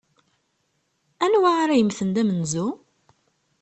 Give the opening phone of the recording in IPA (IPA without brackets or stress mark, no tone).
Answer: æ